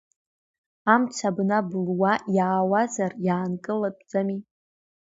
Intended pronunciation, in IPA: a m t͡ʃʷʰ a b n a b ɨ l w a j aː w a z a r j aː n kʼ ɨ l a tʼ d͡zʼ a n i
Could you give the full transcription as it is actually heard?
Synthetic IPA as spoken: a m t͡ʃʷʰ a b n a b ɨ l w a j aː w a z a r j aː n kʼ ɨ l a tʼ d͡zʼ a m i